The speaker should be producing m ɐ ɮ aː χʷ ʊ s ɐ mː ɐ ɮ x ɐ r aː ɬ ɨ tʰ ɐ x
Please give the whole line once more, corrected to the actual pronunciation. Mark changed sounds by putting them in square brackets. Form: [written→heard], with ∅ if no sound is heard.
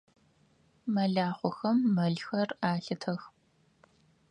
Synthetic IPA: m ɐ ɮ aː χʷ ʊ [s→x] ɐ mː ɐ ɮ x ɐ r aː ɬ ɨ tʰ ɐ x